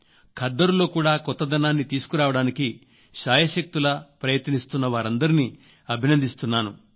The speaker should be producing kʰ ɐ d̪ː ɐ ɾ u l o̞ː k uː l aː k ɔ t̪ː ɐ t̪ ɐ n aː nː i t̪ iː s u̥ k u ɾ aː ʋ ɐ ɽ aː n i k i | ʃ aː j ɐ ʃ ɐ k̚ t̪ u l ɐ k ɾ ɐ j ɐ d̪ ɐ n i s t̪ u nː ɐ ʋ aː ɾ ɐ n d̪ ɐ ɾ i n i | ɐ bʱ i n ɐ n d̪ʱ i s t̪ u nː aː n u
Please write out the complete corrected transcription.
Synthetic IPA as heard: kʰ ɐ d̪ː ɐ ɾ u l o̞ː k uː ɽ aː k ɔ t̪ː ɐ d̪ ɐ n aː nː i t̪ iː s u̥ k u ɾ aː ʋ ɐ ɽ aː n i k i | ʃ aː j ɐ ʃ ɐ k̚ t̪ u l ɐ p ɾ ɐ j ɐ t̪ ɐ n i s t̪ u nː ɐ ʋ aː ɾ ɐ n d̪ ɐ ɾ i n i | ɐ bʱ i n ɐ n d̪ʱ i s t̪ u nː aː n u

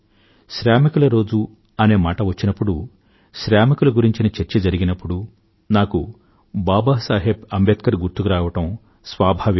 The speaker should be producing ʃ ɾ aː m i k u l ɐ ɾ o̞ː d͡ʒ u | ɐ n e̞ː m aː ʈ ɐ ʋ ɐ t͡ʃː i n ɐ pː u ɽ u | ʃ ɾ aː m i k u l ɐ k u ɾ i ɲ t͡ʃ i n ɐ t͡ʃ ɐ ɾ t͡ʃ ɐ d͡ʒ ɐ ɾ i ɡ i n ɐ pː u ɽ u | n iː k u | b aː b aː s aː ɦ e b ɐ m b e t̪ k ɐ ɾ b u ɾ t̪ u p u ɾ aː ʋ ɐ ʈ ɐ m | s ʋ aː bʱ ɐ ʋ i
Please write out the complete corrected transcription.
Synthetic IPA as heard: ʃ ɾ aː m i k u l ɐ ɾ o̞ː d͡ʒ u | ɐ n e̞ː m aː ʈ ɐ ʋ ɐ t͡ʃː i n ɐ pː u ɽ u | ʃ ɾ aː m i k u l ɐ ɡ u ɾ i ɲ t͡ʃ i n ɐ t͡ʃ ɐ ɾ t͡ʃ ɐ d͡ʒ ɐ ɾ i ɡ i n ɐ pː u ɽ u | n aː k u | b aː b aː s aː ɦ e b ɐ m b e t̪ k ɐ ɾ ɡ u ɾ t̪ u k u ɾ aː ʋ ɐ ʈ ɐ m | s ʋ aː bʱ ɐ ʋ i

